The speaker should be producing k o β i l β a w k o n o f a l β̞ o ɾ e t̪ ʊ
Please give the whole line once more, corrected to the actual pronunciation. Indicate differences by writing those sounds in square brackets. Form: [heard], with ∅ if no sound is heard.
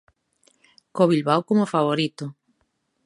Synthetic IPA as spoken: k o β i l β a w k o [m] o f a [∅] β̞ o ɾ [i] t̪ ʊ